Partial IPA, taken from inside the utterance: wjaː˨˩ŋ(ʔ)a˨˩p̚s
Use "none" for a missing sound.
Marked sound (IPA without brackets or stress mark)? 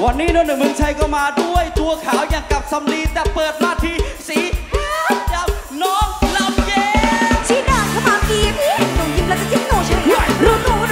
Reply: k